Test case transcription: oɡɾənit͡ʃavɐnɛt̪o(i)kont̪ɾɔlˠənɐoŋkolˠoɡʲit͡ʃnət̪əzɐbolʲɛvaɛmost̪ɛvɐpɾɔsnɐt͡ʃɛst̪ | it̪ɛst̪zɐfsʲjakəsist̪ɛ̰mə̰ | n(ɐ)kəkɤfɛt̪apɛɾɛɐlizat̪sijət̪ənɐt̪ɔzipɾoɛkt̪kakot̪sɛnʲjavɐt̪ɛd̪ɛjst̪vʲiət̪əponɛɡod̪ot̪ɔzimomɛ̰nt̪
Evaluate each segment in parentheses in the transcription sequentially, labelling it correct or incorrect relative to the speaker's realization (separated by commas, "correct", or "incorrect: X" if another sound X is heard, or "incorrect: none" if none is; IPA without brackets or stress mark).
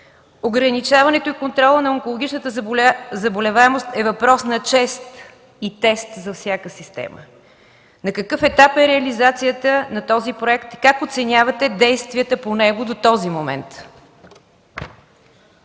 correct, correct